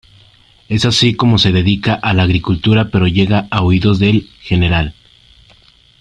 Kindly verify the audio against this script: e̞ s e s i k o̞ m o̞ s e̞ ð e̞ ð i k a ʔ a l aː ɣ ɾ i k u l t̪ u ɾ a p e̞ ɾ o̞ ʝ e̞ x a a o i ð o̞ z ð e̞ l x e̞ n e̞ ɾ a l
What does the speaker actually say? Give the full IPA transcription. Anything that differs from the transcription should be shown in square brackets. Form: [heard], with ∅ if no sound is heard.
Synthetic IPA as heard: e̞ s [a] s i k o̞ m o̞ s e̞ ð e̞ ð i k a ʔ a l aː ɣ ɾ i k u l t̪ u ɾ a p e̞ ɾ o̞ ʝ e̞ [ɣ] a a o i ð o̞ z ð e̞ l x e̞ n e̞ ɾ a l